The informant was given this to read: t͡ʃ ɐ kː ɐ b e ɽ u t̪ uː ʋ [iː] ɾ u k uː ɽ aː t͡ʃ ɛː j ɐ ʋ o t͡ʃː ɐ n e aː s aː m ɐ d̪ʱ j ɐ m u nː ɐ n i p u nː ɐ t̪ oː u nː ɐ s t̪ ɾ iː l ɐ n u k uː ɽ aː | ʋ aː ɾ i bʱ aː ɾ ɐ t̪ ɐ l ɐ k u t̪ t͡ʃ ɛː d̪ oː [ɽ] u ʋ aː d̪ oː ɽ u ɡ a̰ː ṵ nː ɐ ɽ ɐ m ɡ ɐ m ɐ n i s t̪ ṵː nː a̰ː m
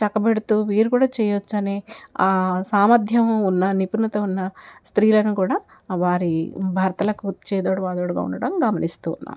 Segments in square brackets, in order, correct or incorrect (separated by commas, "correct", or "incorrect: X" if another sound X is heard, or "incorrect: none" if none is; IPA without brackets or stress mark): correct, correct